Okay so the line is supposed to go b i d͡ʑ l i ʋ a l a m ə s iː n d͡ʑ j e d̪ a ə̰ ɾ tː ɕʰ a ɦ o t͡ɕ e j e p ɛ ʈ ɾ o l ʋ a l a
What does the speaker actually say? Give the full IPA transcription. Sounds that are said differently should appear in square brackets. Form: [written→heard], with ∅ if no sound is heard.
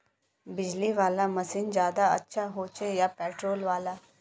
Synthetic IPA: b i d͡ʑ l i ʋ a l a m ə s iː n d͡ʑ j [e→a] d̪ a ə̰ [ɾ→∅] tː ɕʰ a ɦ o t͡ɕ e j [e→a] p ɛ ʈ ɾ o l ʋ a l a